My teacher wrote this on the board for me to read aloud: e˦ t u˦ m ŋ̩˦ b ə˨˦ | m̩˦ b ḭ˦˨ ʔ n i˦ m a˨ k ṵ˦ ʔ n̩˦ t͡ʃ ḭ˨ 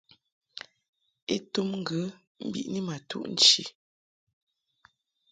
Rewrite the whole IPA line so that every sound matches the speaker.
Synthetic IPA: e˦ t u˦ m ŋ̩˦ ɡ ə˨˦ | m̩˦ b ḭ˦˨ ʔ n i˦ m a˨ t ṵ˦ ʔ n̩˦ t͡ʃ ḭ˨